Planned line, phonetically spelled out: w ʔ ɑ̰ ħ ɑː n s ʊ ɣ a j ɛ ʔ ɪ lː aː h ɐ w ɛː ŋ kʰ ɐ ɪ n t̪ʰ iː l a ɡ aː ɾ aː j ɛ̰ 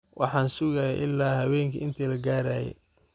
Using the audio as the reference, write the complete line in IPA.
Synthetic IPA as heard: w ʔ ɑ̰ ħ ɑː n s ʊ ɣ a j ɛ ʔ ɪ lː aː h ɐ w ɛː ŋ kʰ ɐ ɪ n t̪ʰ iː l ɐ ɡ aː ɾ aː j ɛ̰